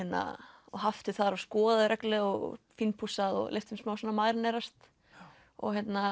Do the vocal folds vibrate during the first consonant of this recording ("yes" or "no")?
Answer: no